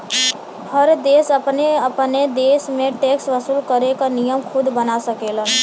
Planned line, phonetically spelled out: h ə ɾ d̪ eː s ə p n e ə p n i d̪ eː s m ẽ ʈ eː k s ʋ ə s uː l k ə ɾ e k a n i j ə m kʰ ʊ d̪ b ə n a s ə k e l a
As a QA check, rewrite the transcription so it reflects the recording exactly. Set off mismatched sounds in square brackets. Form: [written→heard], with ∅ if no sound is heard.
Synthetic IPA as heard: h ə ɾ d̪ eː s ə p n e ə p n [i→e] d̪ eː s m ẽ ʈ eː k s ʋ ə s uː l k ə ɾ e k a n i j ə m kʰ ʊ d̪ b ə n a s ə k e l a